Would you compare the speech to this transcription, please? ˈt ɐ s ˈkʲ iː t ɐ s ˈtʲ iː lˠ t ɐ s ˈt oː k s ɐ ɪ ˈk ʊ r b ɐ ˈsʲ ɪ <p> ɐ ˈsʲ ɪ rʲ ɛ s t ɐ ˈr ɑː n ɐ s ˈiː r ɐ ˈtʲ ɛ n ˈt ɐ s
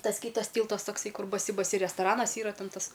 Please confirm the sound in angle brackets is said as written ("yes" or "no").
no